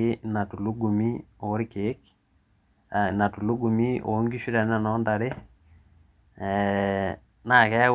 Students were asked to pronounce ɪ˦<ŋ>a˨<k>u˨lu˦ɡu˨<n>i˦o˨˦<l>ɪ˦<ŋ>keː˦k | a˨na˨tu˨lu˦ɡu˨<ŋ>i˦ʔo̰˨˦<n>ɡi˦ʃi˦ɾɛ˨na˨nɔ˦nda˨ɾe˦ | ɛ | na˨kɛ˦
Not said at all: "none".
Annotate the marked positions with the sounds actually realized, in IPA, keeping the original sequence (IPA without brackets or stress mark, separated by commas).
n, t, m, ɾ, none, m, ŋ